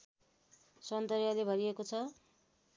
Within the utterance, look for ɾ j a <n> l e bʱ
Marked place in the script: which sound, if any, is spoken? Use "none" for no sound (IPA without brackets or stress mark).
none